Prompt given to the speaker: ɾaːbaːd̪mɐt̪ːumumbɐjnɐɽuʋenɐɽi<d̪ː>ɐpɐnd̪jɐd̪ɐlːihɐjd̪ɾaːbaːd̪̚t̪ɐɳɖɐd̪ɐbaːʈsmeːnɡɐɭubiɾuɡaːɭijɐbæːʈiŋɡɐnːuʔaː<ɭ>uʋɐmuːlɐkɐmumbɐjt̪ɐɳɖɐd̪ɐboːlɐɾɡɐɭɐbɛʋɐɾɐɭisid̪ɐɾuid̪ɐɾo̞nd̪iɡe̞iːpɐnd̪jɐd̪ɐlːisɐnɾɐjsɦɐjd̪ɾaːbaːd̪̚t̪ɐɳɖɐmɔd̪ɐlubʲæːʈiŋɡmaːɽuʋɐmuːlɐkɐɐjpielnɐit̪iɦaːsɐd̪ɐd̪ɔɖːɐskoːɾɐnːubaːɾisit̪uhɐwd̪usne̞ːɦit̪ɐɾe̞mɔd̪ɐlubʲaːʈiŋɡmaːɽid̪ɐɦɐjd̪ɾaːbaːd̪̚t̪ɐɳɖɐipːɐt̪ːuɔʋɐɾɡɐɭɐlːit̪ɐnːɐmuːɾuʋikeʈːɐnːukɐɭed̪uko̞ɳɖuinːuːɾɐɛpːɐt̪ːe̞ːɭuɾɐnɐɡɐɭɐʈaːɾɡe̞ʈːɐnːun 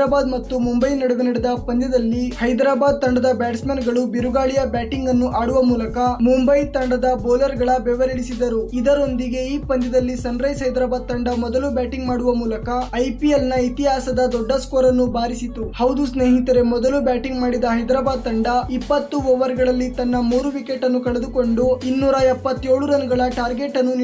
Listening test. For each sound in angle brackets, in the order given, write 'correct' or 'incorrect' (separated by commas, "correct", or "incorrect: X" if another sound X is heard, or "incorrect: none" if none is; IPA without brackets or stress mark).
incorrect: d̪, incorrect: ɽ